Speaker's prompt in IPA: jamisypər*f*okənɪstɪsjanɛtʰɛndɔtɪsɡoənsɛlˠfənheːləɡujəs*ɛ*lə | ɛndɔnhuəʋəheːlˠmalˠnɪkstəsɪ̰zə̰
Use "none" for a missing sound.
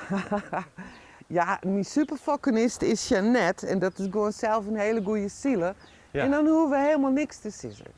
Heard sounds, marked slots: f, i

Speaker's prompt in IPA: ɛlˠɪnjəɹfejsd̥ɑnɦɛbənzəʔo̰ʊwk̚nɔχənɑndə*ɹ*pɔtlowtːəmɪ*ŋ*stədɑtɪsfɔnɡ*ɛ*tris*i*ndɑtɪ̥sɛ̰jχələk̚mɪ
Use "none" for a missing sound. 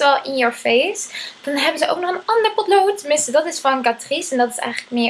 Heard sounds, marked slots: ɹ, n, a, ɛ

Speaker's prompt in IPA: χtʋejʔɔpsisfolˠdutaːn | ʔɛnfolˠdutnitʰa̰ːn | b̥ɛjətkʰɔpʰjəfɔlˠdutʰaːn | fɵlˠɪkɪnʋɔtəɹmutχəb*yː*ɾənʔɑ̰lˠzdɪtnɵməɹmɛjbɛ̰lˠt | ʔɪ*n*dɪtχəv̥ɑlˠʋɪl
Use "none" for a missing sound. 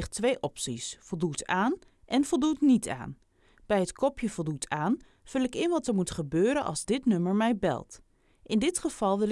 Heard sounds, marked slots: øː, n

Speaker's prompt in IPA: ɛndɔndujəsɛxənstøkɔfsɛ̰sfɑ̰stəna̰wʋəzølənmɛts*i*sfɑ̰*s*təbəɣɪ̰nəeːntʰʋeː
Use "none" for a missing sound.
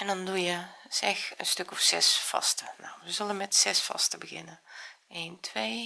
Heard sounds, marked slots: ɛ, s

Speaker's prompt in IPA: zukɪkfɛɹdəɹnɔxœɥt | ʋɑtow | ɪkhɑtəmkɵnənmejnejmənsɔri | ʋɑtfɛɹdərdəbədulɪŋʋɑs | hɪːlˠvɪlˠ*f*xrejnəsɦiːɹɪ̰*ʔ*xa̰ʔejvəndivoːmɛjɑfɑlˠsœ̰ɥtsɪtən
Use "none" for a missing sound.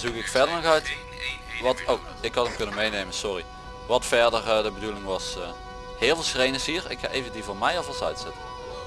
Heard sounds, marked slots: s, k

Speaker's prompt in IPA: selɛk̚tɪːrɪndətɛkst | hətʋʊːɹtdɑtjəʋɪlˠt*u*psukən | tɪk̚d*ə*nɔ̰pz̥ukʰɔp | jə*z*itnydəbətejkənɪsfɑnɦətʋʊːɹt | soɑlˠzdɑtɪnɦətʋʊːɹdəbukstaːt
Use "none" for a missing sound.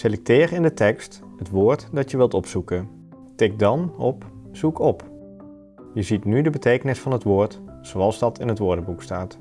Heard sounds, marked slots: ɔ, ɑ, z

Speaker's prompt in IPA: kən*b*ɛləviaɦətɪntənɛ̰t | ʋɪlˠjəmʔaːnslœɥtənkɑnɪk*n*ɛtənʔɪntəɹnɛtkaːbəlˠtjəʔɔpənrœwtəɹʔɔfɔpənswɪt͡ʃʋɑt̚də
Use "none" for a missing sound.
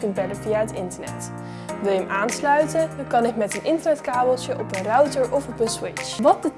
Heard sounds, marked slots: b, m

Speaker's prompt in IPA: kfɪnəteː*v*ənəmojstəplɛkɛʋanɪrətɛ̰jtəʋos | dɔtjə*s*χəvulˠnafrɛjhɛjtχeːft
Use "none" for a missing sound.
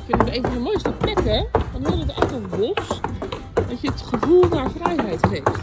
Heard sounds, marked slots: v, t

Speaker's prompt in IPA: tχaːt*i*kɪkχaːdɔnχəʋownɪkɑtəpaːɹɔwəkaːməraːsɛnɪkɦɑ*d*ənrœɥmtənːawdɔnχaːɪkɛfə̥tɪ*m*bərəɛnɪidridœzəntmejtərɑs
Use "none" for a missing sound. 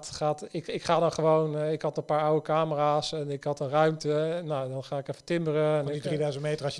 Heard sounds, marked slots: ɪ, t, m

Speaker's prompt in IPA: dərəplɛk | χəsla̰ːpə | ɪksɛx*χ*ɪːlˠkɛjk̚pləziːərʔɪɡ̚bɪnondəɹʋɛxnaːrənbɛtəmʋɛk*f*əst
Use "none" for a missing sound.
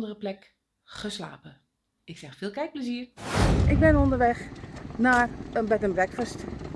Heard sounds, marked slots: f, f

